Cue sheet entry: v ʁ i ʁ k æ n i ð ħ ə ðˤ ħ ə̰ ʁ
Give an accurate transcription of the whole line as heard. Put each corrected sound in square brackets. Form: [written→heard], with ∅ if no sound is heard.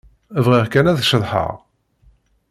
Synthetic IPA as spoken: v ʁ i ʁ k æ n [i→æ] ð [ħ→ʃ] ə ðˤ ħ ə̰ ʁ